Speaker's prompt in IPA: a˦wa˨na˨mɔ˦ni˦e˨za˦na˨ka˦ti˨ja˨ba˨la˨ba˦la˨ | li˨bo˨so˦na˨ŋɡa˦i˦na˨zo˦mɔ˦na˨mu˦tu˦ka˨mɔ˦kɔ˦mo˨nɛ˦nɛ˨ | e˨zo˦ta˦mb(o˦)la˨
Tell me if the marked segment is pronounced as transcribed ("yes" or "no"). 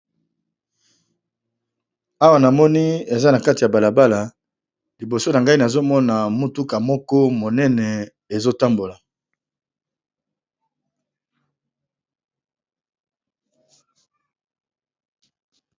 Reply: no